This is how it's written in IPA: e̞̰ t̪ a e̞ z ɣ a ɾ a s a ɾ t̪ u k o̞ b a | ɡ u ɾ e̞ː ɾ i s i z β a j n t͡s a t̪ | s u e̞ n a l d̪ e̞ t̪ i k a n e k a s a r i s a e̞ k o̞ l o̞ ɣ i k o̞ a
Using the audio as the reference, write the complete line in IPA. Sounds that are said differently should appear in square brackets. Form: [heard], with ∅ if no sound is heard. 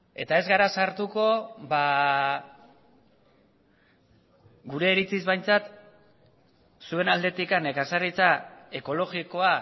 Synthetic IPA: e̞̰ t̪ a e̞ z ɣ a ɾ a s a ɾ t̪ u k o̞ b a | ɡ u ɾ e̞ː ɾ i [t͡s] i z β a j n t͡s a t̪ | s u e̞ n a l d̪ e̞ t̪ i k a n e k a s a r i [t͡s] a e̞ k o̞ l o̞ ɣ i k o̞ a

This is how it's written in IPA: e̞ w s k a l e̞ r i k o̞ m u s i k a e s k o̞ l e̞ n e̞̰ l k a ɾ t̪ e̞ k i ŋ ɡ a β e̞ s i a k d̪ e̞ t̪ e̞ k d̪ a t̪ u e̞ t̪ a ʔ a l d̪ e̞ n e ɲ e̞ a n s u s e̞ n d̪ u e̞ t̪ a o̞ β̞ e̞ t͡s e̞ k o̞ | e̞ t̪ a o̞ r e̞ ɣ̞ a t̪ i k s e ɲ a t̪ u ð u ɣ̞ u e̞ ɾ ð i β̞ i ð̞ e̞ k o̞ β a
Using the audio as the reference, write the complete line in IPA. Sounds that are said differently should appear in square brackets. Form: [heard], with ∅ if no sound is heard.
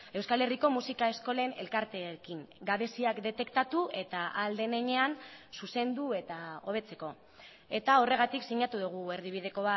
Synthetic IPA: e̞ w s k a l e̞ r i k o̞ m u s i k a e s k o̞ l e̞ n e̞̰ l k a ɾ t̪ e̞ k i ŋ ɡ a β e̞ s i a k d̪ e̞ t̪ e̞ k [t̪] a t̪ u e̞ t̪ a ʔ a l d̪ e̞ n e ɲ e̞ a n s u s e̞ n d̪ u e̞ t̪ a o̞ β̞ e̞ t͡s e̞ k o̞ | e̞ t̪ a o̞ r e̞ ɣ̞ a t̪ i k s [i] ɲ a t̪ u ð u ɣ̞ u e̞ ɾ ð i β̞ i ð̞ e̞ k o̞ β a

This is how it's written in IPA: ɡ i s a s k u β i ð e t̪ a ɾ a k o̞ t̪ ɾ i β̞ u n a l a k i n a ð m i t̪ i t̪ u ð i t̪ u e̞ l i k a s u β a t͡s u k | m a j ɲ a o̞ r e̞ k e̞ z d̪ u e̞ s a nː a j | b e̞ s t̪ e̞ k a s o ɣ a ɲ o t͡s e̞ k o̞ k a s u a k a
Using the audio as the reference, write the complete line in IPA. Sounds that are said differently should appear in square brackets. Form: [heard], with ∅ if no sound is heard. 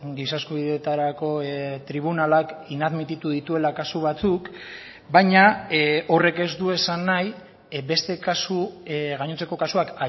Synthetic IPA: ɡ i s a s k u β i ð e t̪ a ɾ a k o̞ t̪ ɾ i β̞ u n a l a k i n a ð m i t̪ i t̪ u ð i t̪ u e̞ l [a] k a s u β a t͡s u k | [b] a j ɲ a o̞ r e̞ k e̞ z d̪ u e̞ s a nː a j | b e̞ s t̪ e̞ k a s [u] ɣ a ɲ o t͡s e̞ k o̞ k a s u a k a

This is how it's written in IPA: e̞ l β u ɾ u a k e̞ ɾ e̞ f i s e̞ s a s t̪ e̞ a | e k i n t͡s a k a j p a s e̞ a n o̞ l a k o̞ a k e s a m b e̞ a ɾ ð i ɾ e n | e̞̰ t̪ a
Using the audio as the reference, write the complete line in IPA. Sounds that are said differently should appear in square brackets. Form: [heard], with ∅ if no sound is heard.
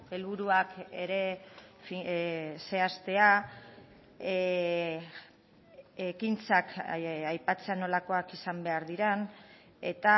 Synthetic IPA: e̞ l β u ɾ u a k e̞ ɾ e̞ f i s e̞ [∅] a s t̪ e̞ a | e k i n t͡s a k a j p a [t͡s] e̞ a n o̞ l a k o̞ a k [i] s a m b e̞ a ɾ ð i ɾ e n | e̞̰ t̪ a

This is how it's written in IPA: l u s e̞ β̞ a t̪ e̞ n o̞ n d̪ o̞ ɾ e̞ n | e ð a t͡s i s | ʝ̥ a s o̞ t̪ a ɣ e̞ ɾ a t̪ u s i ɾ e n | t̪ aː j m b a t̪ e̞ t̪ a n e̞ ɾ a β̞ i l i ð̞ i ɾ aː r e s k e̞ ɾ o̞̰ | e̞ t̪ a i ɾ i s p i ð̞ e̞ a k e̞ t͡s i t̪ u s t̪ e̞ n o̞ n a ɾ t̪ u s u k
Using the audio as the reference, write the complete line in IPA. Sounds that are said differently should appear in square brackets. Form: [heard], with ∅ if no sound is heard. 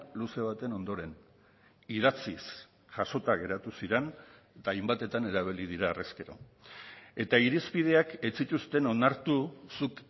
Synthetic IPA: l u s e̞ β̞ a t̪ e̞ n o̞ n d̪ o̞ ɾ e̞ n | [i] ð a t͡s i s | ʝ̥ a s o̞ t̪ a ɣ e̞ ɾ a t̪ u s i ɾ e n | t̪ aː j m b a t̪ e̞ t̪ a n e̞ ɾ a β̞ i l i ð̞ i ɾ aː r e s k e̞ ɾ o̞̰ | e̞ t̪ a i ɾ i s p i ð̞ e̞ a k e̞ t͡s i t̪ u s t̪ e̞ n o̞ n a ɾ t̪ u s u k

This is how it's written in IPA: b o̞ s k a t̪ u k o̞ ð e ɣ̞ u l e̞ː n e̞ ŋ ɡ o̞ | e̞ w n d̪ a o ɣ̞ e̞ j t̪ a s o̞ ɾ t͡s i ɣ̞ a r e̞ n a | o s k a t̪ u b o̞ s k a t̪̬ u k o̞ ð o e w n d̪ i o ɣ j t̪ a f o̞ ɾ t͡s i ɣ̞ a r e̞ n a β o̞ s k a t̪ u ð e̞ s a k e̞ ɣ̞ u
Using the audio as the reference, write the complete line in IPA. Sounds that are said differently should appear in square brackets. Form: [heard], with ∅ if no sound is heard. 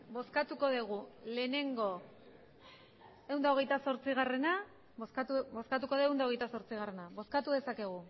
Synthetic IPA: b o̞ s k a t̪ u k o̞ ð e ɣ̞ u l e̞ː n e̞ ŋ ɡ o̞ | e̞ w n d̪ a o ɣ̞ e̞ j t̪ a s o̞ ɾ t͡s i ɣ̞ a r e̞ n a | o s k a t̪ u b o̞ s k a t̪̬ u k o̞ ð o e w n d̪ [a] o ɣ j t̪ a [s] o̞ ɾ t͡s i ɣ̞ a r e̞ n a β o̞ s k a t̪ u ð e̞ s a k e̞ ɣ̞ u

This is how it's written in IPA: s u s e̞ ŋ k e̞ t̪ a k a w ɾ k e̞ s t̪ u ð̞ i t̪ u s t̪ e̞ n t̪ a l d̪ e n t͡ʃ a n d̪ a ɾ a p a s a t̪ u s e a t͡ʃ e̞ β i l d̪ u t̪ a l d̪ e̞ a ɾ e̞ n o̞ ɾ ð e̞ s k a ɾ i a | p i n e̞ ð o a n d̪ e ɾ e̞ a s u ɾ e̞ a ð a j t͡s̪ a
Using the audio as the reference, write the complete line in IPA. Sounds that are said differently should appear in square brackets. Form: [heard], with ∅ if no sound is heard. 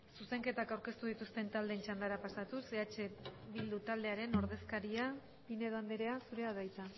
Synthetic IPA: s u s e̞ ŋ k e̞ t̪ a k a w ɾ k e̞ s t̪ u ð̞ i t̪ u s t̪ e̞ n t̪ a l d̪ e n t͡ʃ a n d̪ a ɾ a p a s a t̪ u s e a t͡ʃ e̞ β i l d̪ u t̪ a l d̪ e̞ a ɾ e̞ n o̞ ɾ ð e̞ s k a ɾ i a | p i n e̞ ð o a n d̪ e ɾ e̞ a s u ɾ e̞ a ð a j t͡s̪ a

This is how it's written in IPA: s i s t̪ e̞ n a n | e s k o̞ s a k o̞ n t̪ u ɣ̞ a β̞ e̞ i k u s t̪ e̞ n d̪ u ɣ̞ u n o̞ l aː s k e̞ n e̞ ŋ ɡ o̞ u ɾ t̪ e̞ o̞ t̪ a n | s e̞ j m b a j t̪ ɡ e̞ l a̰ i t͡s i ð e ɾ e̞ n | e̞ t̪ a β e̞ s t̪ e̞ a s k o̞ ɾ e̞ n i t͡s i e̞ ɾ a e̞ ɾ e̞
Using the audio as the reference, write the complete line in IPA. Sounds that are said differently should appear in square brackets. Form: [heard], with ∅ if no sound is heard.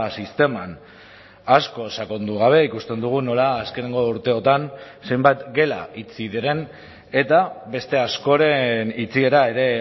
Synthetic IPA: s i s t̪ e̞ [m] a n | [a] s k o̞ s a k o̞ n [d̪] u ɣ̞ a β̞ e̞ i k u s t̪ e̞ n d̪ u ɣ̞ u n o̞ l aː s k e̞ n e̞ ŋ ɡ o̞ u ɾ t̪ e̞ o̞ t̪ a n | s e̞ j m b a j t̪ ɡ e̞ l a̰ i t͡s i ð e ɾ e̞ n | e̞ t̪ a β e̞ s t̪ e̞ a s k o̞ ɾ e̞ n i t͡s i e̞ ɾ a e̞ ɾ e̞

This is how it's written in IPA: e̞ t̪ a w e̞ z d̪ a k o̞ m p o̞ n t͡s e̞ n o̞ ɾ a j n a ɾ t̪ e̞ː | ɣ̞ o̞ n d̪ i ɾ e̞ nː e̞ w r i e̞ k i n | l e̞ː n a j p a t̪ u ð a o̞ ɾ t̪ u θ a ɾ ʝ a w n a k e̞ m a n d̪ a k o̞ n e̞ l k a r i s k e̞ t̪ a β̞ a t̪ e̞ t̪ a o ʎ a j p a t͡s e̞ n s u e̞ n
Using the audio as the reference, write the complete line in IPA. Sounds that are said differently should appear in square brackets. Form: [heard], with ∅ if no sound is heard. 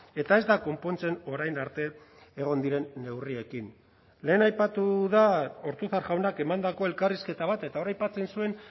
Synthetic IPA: e̞ t̪ a [∅] e̞ z d̪ a k o̞ m p o̞ n t͡s e̞ n o̞ ɾ a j n a ɾ t̪ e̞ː | ɣ̞ o̞ n d̪ i ɾ e̞ nː e̞ w r i e̞ k i n | l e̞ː n a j p a t̪ u ð a o̞ ɾ t̪ u θ a ɾ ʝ a w n a k e̞ m a n d̪ a k o̞ [∅] e̞ l k a r i s k e̞ t̪ a β̞ a t̪ e̞ t̪ a o [ɾ] a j p a t͡s e̞ n s u e̞ n

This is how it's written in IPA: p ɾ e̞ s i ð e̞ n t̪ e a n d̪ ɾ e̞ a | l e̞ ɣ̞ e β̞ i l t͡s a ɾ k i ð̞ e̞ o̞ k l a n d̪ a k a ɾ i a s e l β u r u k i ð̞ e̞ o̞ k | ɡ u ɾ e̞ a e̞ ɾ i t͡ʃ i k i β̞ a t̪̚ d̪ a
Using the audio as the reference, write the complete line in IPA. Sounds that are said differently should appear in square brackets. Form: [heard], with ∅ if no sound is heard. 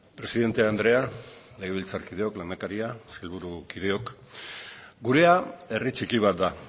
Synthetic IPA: p ɾ e̞ s i ð e̞ n t̪ e a n d̪ ɾ e̞ a | l e̞ ɣ̞ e β̞ i l t͡s a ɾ k i ð̞ e̞ o̞ k l a n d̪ a k a ɾ i a s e l β u [ɾ] u k i ð̞ e̞ o̞ k | ɡ u ɾ e̞ a e̞ [r] i t͡ʃ i k i β̞ a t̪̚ d̪ a

